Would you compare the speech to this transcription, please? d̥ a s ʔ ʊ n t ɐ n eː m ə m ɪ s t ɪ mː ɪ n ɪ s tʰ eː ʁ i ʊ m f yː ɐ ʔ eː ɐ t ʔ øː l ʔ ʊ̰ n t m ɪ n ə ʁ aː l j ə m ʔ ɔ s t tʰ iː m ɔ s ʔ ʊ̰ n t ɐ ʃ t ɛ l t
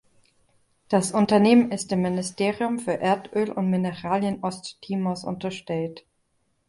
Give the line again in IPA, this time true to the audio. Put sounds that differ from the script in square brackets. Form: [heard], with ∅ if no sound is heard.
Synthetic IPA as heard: d̥ a s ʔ ʊ n t ɐ n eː m ə [n] ɪ s t ɪ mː ɪ n ɪ s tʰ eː ʁ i ʊ m f yː ɐ ʔ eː ɐ t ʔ øː l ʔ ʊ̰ n t m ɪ n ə ʁ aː l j ə [n] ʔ ɔ s t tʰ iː m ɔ s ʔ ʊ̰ n t ɐ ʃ t ɛ l t